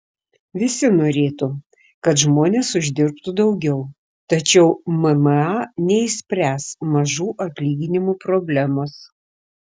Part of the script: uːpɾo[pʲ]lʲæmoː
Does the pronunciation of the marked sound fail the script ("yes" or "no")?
yes